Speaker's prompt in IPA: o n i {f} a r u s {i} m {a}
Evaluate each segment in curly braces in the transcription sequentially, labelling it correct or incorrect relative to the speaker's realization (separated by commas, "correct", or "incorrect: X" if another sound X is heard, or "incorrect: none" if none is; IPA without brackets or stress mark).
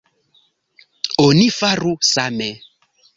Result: correct, incorrect: a, incorrect: ɛ